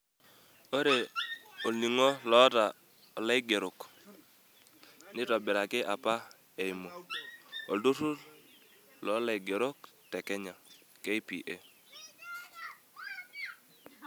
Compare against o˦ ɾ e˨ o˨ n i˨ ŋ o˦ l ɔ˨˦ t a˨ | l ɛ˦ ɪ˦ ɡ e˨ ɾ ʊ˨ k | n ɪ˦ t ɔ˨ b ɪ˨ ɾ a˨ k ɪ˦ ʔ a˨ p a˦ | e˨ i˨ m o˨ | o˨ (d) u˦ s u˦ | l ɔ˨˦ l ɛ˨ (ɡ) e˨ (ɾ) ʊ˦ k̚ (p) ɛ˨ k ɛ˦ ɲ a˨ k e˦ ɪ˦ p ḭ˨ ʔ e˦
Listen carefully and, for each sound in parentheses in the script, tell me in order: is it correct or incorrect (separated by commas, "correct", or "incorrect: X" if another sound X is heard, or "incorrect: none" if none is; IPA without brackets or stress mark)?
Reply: correct, correct, correct, incorrect: t